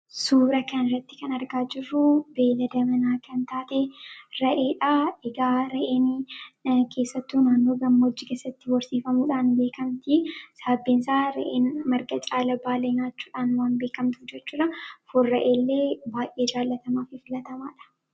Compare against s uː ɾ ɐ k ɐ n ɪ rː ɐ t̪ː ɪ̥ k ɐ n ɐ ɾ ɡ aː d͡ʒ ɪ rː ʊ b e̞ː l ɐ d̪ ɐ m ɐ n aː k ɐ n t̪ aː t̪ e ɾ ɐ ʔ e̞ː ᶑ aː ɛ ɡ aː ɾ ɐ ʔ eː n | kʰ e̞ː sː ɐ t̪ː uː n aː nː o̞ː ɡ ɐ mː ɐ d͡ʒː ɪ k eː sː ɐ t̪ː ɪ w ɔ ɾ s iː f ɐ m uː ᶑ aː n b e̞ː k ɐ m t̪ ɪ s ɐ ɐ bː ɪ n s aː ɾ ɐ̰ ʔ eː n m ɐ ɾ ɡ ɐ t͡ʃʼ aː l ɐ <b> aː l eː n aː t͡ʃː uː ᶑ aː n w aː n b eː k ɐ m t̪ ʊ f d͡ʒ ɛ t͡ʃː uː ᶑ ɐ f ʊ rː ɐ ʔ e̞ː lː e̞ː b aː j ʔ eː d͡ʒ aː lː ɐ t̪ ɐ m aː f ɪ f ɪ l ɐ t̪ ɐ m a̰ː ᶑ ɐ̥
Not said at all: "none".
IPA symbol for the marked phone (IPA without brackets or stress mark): b